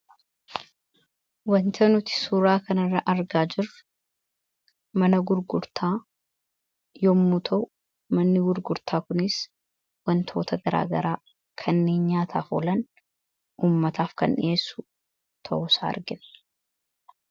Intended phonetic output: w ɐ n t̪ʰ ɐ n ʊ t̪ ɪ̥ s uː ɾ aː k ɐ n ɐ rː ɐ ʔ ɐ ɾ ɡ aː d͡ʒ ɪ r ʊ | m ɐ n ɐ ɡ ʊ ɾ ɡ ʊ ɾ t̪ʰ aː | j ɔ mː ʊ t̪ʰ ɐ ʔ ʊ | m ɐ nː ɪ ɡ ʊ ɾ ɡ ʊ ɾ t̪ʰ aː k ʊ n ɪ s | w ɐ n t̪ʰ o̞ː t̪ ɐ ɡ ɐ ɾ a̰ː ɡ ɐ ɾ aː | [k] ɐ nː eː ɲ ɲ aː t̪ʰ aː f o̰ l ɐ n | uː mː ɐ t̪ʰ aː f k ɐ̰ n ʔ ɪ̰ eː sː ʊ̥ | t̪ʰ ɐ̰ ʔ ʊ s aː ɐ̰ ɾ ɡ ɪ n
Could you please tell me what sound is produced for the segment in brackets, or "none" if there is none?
kʰ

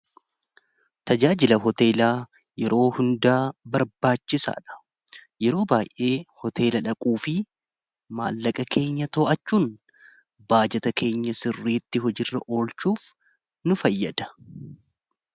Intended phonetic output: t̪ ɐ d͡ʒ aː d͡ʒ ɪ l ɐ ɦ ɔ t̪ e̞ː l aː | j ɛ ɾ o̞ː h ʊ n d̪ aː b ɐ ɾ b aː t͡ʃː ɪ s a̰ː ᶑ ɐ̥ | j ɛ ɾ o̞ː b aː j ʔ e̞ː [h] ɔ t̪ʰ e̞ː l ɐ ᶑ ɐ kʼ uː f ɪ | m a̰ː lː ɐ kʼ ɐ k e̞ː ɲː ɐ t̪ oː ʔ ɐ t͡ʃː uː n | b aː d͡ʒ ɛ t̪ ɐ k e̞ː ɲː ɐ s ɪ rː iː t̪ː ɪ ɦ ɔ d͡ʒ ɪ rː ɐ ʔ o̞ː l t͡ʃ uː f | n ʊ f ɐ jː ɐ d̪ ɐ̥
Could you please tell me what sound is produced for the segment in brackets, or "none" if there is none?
h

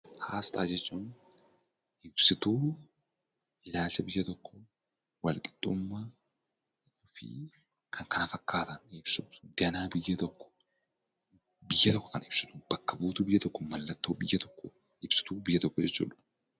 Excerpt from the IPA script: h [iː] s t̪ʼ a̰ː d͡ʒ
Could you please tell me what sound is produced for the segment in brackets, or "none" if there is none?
aː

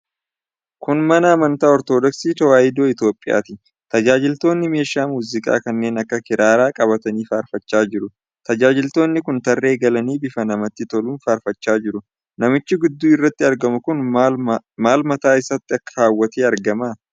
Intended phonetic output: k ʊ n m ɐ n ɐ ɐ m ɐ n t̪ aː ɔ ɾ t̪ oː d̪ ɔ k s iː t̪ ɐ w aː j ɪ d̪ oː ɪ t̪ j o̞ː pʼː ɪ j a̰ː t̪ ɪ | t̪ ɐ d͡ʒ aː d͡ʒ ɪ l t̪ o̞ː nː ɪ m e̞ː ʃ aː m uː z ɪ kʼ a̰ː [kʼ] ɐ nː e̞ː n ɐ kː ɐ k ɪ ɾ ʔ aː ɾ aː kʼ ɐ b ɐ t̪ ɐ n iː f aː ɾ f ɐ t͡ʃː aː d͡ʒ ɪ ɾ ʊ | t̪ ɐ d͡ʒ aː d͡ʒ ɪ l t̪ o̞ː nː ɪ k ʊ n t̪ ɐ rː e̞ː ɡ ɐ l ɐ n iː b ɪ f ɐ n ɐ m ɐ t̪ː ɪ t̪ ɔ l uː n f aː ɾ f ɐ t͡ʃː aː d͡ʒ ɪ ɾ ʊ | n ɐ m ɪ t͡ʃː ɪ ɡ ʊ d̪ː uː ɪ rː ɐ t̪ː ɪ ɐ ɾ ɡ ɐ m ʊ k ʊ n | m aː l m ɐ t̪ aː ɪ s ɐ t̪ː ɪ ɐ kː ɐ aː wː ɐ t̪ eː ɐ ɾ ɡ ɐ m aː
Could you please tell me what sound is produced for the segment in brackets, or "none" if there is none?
k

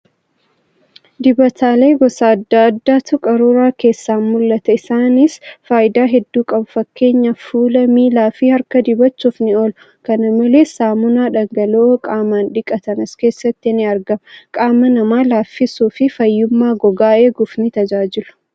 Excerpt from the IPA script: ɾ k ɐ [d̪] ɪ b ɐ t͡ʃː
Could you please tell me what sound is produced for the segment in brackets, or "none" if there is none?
d̪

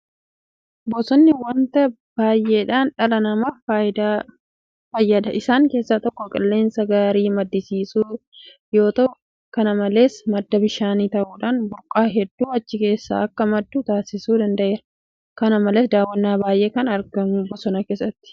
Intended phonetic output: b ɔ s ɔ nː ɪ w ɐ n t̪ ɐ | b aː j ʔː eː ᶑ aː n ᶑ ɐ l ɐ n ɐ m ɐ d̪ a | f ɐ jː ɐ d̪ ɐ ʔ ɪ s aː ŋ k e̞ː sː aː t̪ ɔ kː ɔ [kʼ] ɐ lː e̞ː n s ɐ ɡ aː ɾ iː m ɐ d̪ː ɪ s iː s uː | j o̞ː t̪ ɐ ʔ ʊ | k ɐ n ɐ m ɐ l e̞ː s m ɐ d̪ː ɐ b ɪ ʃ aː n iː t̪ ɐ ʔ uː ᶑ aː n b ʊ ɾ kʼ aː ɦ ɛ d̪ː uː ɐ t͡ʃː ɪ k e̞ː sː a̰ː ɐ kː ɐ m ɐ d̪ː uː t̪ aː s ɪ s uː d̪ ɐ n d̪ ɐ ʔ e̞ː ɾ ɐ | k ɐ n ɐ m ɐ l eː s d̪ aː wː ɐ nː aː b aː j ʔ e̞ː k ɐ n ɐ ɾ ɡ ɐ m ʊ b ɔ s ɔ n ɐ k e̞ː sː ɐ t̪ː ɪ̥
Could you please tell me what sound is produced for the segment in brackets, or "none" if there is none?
kʼ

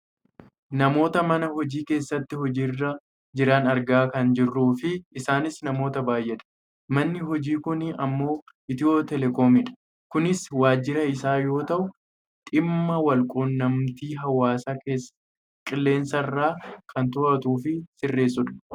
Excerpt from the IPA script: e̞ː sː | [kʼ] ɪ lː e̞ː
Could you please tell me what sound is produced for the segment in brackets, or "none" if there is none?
kʼ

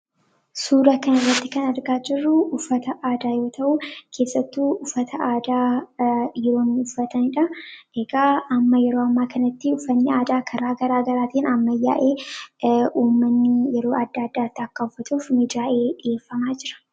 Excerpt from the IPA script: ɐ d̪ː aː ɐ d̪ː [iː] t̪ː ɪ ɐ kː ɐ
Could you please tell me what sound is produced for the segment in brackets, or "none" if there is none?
aː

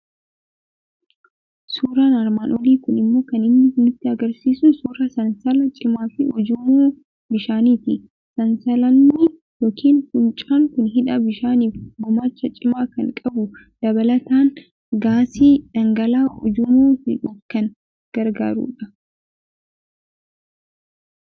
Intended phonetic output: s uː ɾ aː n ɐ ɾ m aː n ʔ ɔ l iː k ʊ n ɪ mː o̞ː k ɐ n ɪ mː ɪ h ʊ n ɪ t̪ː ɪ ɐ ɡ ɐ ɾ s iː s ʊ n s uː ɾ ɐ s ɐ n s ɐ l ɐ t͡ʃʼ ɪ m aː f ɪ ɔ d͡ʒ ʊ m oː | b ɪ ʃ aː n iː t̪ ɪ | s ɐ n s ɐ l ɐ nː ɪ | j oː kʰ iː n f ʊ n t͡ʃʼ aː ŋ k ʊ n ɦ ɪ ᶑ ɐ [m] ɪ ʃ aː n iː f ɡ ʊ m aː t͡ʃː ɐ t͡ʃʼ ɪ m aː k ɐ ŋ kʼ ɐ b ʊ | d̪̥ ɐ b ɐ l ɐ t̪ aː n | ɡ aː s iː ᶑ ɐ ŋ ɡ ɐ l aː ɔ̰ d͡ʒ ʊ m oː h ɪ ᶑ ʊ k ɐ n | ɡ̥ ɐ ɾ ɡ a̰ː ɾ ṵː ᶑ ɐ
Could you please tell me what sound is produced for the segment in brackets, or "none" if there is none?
b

